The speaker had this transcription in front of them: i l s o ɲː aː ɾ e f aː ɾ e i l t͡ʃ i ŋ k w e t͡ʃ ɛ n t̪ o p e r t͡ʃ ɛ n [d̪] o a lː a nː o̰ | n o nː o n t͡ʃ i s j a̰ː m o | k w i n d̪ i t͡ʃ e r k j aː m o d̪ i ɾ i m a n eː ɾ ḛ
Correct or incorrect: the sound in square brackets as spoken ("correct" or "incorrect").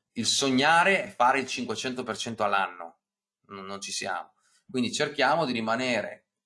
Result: incorrect